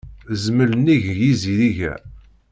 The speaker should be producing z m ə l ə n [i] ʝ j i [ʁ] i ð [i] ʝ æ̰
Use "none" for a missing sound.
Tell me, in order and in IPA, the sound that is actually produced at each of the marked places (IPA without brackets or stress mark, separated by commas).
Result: i, z, i